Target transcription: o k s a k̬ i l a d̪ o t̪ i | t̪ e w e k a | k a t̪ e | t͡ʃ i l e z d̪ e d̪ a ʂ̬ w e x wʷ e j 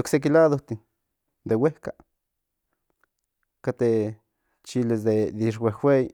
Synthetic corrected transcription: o k s e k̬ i l a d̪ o t̪ i | d̪ e w e k a | k a t̪ e | t͡ʃ i l e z d̪ e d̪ i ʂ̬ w e x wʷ e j

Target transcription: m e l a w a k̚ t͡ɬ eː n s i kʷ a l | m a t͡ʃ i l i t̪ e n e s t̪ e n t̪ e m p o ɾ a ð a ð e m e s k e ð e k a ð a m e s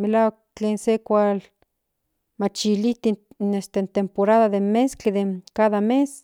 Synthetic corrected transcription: m e l a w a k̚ t͡ɬ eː n s e kʷ a l | m a t͡ʃ i l i t̪ i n e s t̪ e n t̪ e m p o ɾ a ð a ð e m e s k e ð e k a ð a m e s

